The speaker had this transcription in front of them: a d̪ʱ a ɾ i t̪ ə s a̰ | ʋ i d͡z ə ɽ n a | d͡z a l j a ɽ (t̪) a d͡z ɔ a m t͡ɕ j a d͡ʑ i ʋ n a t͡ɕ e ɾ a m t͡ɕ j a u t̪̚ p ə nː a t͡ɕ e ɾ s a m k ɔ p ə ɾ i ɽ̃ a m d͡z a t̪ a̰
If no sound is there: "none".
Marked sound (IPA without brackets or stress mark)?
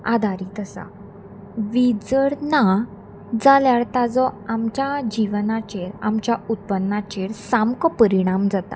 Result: t̪